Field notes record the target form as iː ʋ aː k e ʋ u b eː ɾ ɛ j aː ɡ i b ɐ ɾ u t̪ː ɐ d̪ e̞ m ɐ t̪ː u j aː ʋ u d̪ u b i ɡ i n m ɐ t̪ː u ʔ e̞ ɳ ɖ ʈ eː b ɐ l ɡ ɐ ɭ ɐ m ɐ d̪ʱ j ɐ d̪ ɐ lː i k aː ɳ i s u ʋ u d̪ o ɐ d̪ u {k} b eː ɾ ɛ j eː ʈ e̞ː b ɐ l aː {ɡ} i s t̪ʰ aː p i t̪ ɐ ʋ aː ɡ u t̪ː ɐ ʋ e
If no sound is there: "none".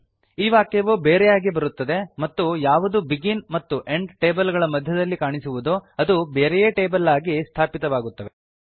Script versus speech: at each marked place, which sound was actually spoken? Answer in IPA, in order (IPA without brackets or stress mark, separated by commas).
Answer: none, ɡ